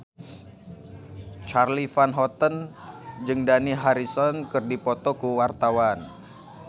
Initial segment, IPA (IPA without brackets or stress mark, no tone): t͡ʃ